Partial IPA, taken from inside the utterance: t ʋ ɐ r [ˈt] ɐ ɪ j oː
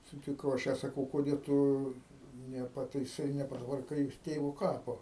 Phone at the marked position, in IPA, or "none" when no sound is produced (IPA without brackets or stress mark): k